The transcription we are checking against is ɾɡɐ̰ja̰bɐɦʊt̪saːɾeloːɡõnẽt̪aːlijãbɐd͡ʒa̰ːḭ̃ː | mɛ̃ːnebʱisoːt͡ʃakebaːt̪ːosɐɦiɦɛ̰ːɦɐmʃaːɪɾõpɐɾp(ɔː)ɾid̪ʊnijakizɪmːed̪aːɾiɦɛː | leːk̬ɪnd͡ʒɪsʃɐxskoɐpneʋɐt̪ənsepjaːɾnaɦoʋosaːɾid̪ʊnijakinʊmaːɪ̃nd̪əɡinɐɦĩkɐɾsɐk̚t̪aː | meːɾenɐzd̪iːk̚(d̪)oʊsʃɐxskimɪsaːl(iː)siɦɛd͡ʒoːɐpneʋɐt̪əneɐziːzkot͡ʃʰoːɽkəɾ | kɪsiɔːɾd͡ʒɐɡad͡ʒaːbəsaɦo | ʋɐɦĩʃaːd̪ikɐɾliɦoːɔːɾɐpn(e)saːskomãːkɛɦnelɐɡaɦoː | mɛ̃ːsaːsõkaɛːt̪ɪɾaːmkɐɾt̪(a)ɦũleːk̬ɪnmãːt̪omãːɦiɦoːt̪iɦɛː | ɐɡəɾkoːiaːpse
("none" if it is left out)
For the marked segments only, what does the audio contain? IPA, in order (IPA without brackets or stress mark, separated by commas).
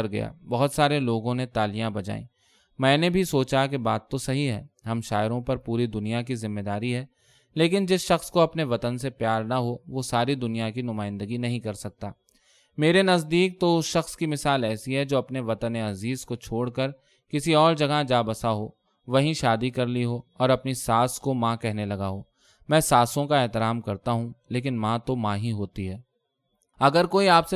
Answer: uː, t̪, ɛː, i, a